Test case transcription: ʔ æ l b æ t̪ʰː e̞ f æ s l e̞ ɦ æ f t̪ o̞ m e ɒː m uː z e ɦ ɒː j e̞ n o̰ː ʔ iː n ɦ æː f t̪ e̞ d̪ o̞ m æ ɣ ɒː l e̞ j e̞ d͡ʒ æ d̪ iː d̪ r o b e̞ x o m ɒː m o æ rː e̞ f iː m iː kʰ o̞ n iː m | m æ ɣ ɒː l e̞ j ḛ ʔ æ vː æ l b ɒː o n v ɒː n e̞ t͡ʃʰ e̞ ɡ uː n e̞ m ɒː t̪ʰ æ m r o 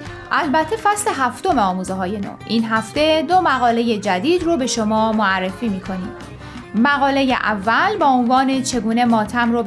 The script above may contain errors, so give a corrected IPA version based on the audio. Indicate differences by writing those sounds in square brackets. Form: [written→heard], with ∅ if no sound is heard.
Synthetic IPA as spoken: ʔ æ l b æ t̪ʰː e̞ f æ s l e̞ ɦ æ f t̪ o̞ m e ɒː m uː z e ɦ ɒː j e̞ n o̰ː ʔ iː n ɦ [æː→æ] f t̪ e̞ d̪ o̞ m æ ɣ ɒː l e̞ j e̞ d͡ʒ æ d̪ iː d̪ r o b e̞ [x→ʃ] o m ɒː m o æ rː e̞ f iː m iː kʰ o̞ n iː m | m æ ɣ ɒː l e̞ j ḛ ʔ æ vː æ l b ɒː o n v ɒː n e̞ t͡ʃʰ e̞ ɡ uː n e̞ m ɒː t̪ʰ æ m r o